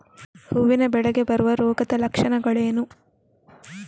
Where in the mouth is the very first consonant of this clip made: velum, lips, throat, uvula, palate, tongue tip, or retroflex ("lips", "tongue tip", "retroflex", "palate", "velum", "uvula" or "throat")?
throat